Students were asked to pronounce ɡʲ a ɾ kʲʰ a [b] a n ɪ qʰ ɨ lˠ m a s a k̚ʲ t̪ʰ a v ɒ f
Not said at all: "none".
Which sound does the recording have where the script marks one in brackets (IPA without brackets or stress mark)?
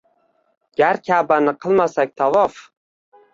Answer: b